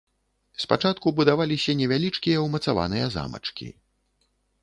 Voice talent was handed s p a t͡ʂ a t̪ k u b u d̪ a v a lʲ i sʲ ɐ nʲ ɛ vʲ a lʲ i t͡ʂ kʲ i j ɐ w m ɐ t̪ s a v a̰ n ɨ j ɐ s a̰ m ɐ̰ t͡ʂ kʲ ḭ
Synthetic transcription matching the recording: s p a t͡ʂ a t̪ k u b u d̪ a v a lʲ i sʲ ɐ nʲ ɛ vʲ a lʲ i t͡ʂ kʲ i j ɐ w m ɐ t̪ s a v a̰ n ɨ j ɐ z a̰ m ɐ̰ t͡ʂ kʲ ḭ

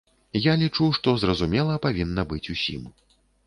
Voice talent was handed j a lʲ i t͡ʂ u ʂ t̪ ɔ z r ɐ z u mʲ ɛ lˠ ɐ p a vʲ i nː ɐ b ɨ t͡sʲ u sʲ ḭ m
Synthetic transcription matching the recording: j a lʲ i t͡ʂ u ʂ t̪ ɔ z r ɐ z u mʲ ɛ lˠ ɐ p a vʲ i nː ɐ b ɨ t͡sʲ u sʲ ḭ m

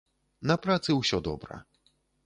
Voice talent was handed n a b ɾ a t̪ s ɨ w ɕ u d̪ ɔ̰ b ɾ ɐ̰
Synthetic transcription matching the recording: n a p ɾ a t̪ s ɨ w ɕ ɔ d̪ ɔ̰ b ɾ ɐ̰

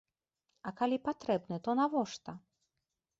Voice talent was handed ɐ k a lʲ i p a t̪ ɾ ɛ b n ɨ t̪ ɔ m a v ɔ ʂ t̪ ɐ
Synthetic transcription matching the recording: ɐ k a lʲ i p a t̪ ɾ ɛ b n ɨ t̪ ɔ n a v ɔ ʂ t̪ ɐ

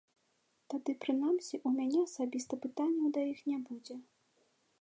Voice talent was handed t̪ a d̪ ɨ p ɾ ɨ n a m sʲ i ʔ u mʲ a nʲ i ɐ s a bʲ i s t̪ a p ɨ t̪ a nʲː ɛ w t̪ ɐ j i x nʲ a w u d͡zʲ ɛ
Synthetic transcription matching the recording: t̪ a d̪ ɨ p ɾ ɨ n a m sʲ i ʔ u mʲ a nʲ ɛ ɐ s a bʲ i s t̪ ɐ p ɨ t̪ a nʲː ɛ w d̪ ɐ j i x nʲ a b u d͡zʲ ɛ

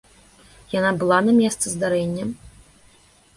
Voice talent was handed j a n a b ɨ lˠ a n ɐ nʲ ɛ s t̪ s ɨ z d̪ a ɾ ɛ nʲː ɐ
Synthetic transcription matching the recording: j a n a b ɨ lˠ a n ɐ mʲ ɛ s t̪ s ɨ z d̪ a ɾ ɛ nʲː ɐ

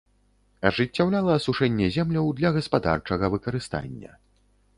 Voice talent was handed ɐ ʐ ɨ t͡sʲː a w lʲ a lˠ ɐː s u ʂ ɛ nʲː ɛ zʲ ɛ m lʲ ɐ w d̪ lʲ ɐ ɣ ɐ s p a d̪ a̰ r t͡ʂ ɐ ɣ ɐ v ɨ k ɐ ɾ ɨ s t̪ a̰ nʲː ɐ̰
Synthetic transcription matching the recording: ɐ ʐ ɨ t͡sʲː a w lʲ a lˠ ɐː s u ʂ ɛ nʲː ɛ zʲ ɛ m lʲ ɐ w d̪ lʲ ɐ ɣ ɐ s p a d̪ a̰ r t͡ʂ ɐ ɣ ɐ v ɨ k ɐ ɾ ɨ s t̪ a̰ nʲː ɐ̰

